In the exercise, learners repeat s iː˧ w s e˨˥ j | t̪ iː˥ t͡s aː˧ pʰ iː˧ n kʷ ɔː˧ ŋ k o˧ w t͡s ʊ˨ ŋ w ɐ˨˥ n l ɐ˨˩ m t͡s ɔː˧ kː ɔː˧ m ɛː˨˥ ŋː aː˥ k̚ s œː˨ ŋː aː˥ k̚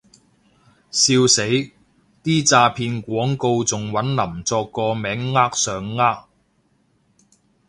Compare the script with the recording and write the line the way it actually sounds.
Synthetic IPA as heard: s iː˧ w s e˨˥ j | t̪ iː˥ t͡s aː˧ pʰ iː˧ n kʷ ɔː˨˥ ŋ k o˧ w t͡s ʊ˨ ŋ w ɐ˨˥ n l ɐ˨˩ m t͡s ɔː˧ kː ɔː˧ m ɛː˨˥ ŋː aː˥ k̚ s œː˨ ŋː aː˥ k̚